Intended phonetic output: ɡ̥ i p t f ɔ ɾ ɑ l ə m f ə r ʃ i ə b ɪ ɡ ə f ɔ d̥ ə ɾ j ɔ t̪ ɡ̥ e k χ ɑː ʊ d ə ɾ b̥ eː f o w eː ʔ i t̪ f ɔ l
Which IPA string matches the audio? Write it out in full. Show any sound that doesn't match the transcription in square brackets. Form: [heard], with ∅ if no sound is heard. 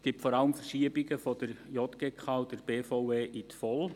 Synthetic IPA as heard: ɡ̥ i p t f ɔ ɾ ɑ l ə m f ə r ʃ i ə b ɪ ɡ ə f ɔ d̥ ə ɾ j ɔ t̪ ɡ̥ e k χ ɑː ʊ d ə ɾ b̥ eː f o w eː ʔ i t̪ f ɔ l